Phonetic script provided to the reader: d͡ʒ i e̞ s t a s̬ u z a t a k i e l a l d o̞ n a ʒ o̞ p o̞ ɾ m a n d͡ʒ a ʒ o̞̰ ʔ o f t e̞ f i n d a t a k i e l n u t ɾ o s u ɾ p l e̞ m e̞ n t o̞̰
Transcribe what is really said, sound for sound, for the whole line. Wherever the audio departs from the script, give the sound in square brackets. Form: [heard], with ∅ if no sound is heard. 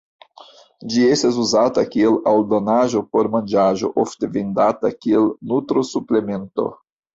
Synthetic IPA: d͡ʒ i e̞ s t a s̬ u z a t a k i e l a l d o̞ n a ʒ o̞ p o̞ ɾ m a n d͡ʒ a ʒ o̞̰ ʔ o f t e̞ [v] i n d a t a k i e l n u t ɾ o s u [∅] p l e̞ m e̞ n t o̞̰